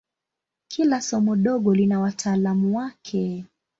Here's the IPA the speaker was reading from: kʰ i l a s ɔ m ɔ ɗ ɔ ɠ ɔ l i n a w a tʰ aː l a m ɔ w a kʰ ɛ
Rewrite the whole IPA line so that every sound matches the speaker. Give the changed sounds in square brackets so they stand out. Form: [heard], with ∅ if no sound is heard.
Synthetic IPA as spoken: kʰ i l a s ɔ m ɔ ɗ ɔ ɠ ɔ l i n a w a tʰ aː l a m [u] w a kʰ ɛ